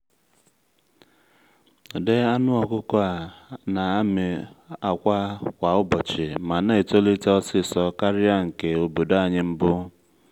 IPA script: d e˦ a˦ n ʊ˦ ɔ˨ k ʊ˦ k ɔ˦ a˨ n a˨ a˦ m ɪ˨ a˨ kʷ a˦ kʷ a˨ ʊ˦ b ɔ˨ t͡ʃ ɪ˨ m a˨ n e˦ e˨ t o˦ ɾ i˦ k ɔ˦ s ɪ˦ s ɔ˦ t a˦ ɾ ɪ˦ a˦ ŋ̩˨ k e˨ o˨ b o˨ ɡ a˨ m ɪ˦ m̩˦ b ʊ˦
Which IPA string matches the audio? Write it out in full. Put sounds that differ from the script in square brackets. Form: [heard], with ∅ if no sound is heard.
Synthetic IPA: d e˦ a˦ n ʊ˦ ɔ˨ k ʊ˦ k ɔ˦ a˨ n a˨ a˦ m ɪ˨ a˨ kʷ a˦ kʷ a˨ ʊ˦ b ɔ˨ t͡ʃ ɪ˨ m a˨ n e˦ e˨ t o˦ [l] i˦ [t] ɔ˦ s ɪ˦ s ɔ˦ [k] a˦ ɾ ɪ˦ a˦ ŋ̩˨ k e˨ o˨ b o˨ [d] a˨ [ɲ] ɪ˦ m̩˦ b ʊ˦

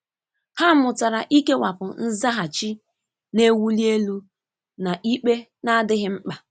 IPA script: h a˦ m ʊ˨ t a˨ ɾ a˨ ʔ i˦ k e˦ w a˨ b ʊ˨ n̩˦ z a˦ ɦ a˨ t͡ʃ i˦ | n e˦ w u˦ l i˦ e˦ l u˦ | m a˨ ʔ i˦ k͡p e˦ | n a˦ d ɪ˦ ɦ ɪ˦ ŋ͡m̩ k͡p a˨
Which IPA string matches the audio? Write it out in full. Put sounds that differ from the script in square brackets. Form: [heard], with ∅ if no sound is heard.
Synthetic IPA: h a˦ m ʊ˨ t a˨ ɾ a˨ ʔ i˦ k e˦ w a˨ [p] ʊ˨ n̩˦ z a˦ ɦ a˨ t͡ʃ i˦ | n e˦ w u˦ l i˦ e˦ l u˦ | [n] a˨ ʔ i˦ k͡p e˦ | n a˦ d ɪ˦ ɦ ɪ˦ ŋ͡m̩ k͡p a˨

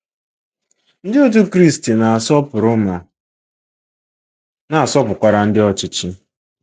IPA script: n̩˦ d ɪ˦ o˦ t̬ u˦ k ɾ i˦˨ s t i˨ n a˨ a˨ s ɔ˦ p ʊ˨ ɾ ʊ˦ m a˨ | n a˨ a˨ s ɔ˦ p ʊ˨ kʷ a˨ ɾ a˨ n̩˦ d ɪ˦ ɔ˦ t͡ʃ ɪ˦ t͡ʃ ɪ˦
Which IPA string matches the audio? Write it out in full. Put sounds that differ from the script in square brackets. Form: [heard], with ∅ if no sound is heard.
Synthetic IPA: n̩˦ d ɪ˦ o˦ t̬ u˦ k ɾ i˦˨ s t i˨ n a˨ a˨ s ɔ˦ p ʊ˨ ɾ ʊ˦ m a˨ | n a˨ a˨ s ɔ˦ p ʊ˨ kʷ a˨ ɾ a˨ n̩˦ d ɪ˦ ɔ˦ t͡ʃ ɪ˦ t͡ʃ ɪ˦

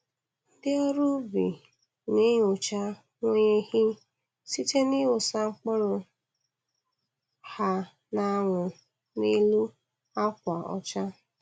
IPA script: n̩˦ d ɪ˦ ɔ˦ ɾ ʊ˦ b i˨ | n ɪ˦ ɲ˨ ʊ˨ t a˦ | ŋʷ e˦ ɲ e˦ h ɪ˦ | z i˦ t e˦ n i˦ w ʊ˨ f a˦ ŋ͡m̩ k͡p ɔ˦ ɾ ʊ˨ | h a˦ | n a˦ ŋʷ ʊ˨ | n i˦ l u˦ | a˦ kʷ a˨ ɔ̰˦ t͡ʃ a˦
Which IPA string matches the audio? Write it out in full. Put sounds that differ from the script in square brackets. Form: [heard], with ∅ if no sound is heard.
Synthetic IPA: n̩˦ d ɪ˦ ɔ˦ ɾ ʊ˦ b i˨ | n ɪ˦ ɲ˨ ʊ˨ [t͡ʃ] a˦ | ŋʷ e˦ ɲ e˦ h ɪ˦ | [s] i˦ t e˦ n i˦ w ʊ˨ [s] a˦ ŋ͡m̩ k͡p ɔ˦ ɾ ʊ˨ | h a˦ | n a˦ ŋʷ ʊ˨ | n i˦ l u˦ | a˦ kʷ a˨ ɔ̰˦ t͡ʃ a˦

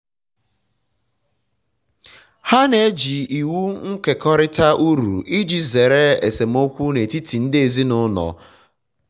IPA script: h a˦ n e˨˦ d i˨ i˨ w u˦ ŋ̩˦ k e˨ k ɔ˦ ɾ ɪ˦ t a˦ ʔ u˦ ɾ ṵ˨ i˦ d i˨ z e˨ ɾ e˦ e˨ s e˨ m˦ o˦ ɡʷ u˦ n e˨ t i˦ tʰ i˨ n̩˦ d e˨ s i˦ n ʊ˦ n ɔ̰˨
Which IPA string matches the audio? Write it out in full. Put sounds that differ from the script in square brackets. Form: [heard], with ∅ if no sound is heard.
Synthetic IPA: h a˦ n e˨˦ [d͡ʒ] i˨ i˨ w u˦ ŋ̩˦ k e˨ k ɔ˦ ɾ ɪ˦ t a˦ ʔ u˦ ɾ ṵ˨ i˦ [d͡ʒ] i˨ z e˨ ɾ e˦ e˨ s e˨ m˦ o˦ [kʷ] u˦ n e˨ t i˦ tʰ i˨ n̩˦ d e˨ [z] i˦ n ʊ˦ n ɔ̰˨

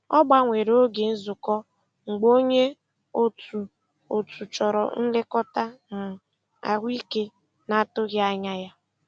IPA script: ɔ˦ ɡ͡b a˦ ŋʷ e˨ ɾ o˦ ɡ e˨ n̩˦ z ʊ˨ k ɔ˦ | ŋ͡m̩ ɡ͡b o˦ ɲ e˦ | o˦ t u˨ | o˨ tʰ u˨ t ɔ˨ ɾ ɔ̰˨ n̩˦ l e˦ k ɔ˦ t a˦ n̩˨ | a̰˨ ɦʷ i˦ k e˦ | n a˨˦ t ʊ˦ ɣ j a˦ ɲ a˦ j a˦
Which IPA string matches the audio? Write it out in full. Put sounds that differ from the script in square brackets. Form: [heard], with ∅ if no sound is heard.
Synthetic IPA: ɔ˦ ɡ͡b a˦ ŋʷ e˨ ɾ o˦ ɡ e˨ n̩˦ z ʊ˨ k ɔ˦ | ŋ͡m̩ ɡ͡b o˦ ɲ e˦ | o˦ t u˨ | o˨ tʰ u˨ [t͡ʃ] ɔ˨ ɾ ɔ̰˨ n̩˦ l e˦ k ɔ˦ t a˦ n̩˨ | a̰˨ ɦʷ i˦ k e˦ | n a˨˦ t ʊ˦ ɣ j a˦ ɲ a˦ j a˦

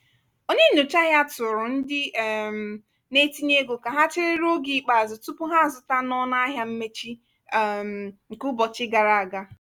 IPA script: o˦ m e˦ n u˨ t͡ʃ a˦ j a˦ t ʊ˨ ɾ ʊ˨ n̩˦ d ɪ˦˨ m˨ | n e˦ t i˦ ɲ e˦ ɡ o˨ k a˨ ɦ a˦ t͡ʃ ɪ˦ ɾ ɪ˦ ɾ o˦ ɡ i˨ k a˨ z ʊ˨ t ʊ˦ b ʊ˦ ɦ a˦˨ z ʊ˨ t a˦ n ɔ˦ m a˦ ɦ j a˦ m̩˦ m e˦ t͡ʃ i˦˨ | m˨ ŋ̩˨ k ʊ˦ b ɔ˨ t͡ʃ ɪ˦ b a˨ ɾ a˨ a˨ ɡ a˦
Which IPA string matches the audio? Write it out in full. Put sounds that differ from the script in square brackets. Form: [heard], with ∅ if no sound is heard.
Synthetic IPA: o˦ [ɲ] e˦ n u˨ t͡ʃ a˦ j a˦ t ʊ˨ ɾ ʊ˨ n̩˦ d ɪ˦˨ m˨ | n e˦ t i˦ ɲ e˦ ɡ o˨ k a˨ ɦ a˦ t͡ʃ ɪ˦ ɾ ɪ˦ ɾ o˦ ɡ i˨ [k͡p] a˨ z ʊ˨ t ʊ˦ [p] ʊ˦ ɦ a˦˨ z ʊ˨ t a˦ n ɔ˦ [n] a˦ ɦ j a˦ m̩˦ m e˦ t͡ʃ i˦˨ | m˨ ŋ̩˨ k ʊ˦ b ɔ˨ t͡ʃ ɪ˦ [ɡ] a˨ ɾ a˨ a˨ ɡ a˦

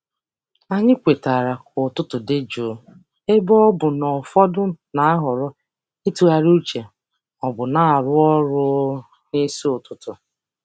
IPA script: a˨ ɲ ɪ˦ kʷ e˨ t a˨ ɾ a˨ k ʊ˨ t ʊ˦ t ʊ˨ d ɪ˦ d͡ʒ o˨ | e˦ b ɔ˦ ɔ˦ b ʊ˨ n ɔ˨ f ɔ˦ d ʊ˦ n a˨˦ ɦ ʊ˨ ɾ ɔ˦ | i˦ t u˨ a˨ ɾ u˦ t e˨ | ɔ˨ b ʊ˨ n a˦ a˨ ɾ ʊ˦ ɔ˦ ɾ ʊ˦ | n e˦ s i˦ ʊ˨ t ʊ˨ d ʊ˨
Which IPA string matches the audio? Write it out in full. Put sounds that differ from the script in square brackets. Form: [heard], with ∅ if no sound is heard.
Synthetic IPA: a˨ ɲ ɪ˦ kʷ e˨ t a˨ ɾ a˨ k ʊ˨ t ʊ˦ t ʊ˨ d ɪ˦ d͡ʒ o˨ | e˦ b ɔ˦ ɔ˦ b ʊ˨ n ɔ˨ f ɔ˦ d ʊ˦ n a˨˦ ɦ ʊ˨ ɾ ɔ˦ | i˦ t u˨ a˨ ɾ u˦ [t͡ʃ] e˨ | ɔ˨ b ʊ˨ n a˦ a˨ ɾ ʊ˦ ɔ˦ ɾ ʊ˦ | n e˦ s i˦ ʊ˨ t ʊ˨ [t] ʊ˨

